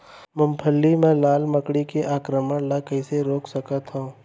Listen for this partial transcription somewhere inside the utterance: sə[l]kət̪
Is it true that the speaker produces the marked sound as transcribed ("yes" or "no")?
no